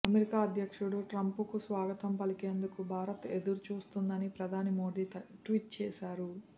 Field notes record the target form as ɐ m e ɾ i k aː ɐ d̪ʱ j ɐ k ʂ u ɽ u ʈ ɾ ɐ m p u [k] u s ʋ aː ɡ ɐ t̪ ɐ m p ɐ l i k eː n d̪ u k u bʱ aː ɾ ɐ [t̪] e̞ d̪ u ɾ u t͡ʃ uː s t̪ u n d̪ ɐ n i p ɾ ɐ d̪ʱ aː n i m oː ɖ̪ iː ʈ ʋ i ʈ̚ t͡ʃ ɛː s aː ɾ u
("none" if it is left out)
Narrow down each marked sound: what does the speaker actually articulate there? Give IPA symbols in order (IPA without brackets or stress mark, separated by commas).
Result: k, t̪